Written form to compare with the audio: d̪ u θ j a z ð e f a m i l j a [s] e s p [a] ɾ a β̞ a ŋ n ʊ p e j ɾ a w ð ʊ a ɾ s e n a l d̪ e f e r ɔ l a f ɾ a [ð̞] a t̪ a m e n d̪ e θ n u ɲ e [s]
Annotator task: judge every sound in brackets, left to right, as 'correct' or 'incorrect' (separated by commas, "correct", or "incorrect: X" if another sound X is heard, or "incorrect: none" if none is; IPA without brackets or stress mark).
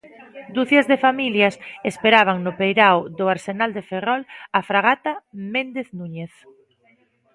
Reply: correct, incorrect: e, incorrect: ɣ̞, incorrect: θ